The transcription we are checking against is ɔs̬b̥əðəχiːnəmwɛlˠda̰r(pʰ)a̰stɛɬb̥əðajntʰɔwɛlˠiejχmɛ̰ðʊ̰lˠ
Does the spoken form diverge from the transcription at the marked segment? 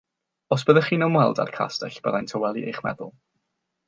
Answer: yes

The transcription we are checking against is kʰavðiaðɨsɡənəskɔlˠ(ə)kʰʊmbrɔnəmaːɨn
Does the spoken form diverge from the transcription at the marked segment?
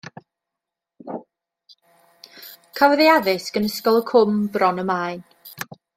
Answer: no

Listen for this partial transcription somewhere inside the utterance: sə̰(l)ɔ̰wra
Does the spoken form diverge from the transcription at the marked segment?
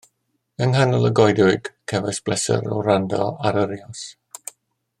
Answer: yes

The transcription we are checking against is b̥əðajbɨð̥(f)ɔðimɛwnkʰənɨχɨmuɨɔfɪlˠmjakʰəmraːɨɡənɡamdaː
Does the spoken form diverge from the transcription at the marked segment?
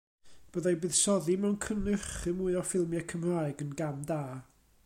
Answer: yes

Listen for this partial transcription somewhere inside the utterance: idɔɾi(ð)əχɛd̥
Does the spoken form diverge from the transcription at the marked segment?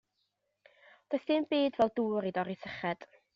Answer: yes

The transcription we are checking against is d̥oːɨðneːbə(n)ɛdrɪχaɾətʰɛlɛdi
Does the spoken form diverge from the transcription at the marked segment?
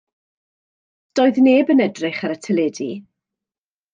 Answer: no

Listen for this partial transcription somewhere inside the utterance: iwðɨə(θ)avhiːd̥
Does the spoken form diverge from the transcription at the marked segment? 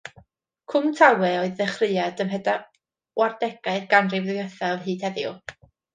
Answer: no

